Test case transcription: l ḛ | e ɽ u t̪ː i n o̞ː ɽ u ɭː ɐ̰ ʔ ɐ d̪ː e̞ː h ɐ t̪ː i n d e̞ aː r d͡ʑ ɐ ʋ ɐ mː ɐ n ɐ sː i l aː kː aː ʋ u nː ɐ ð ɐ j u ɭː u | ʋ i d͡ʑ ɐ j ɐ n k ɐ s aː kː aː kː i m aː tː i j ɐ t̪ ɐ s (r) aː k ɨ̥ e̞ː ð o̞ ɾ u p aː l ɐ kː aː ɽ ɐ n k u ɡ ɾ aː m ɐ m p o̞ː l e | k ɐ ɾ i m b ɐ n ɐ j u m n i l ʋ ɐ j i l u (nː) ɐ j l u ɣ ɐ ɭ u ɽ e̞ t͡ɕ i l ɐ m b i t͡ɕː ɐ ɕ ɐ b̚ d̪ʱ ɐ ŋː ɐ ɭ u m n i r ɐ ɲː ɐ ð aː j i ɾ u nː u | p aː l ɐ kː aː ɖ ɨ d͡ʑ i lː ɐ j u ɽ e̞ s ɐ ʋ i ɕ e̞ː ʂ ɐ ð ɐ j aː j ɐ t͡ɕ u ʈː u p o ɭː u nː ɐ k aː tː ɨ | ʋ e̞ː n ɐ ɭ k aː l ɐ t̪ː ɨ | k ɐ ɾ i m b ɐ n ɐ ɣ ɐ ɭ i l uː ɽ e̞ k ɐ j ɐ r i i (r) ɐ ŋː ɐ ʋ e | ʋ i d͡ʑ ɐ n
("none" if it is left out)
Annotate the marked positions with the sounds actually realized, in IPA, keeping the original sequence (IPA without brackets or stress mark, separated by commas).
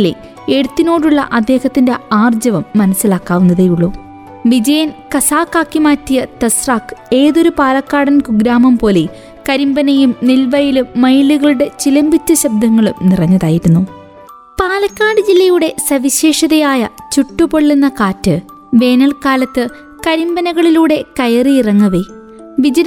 r, mː, r